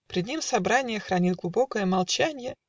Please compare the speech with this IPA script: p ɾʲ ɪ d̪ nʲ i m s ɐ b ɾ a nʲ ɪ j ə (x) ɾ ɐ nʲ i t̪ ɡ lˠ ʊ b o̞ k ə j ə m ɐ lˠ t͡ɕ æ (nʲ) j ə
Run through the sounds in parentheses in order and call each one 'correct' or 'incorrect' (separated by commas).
correct, correct